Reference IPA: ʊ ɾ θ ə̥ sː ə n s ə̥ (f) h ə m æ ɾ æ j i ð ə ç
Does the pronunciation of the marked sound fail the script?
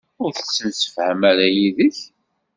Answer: no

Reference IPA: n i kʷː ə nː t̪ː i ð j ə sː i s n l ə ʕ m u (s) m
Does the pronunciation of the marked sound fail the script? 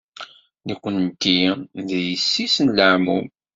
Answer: yes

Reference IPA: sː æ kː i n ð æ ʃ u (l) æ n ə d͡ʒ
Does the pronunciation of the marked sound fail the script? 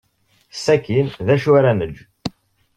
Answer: yes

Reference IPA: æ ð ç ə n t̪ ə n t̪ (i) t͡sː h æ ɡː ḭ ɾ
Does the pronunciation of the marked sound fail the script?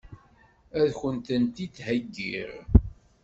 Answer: no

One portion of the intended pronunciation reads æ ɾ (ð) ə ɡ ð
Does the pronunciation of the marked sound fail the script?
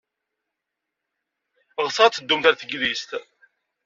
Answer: yes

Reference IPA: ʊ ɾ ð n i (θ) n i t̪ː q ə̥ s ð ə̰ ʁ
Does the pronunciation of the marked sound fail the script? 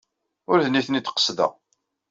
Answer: no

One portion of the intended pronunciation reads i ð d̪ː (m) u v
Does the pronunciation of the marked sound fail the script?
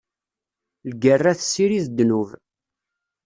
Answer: yes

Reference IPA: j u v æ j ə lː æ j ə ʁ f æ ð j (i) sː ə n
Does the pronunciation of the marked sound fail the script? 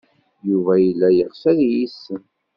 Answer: no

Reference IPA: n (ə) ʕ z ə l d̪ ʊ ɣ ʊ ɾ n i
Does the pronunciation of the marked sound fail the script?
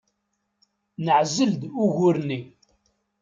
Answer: no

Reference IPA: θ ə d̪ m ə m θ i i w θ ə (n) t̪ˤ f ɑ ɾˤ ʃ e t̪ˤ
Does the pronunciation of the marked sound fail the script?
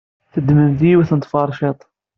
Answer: no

